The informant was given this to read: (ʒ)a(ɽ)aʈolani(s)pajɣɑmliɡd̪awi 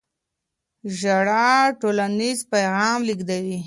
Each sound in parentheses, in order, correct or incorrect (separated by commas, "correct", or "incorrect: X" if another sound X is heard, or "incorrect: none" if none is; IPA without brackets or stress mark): correct, correct, incorrect: z